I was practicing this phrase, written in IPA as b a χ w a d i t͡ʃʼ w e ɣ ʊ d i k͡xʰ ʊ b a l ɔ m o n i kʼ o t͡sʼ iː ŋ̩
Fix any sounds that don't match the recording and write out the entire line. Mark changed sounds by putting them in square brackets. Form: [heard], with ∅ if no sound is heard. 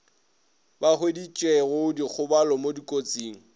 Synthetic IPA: b a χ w [e] d i t͡ʃʼ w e ɣ ʊ d i k͡xʰ ʊ b a l ɔ m o [d] i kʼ o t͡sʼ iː ŋ̩